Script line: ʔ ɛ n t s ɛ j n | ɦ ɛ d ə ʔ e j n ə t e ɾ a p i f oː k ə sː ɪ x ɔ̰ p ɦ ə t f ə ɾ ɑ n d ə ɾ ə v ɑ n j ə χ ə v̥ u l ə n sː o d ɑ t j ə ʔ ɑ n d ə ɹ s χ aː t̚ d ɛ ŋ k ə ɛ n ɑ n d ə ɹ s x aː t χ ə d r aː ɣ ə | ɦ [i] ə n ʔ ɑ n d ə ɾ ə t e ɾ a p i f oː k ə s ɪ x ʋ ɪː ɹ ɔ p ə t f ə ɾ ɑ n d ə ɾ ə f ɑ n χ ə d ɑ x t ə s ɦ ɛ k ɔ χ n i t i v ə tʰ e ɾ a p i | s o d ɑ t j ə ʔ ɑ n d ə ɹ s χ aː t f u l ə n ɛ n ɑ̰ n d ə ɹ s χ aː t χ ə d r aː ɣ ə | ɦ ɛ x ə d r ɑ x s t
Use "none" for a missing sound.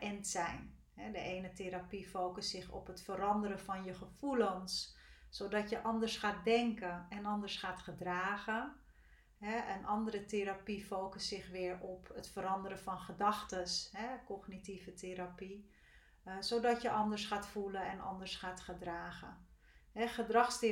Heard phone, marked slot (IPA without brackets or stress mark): ɛ